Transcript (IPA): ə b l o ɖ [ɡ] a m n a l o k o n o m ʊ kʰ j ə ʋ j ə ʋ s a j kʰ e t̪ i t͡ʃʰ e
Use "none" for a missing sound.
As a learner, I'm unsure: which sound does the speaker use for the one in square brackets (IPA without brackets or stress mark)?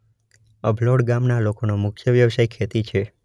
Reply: ɡ